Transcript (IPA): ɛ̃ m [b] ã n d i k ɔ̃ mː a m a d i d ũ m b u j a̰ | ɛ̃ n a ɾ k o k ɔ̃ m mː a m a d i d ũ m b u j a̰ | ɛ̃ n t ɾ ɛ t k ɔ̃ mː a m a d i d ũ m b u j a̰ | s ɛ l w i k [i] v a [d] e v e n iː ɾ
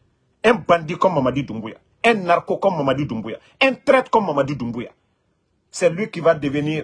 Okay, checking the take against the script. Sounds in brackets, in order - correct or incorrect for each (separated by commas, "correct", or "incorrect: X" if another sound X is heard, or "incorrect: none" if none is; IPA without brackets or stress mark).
correct, correct, correct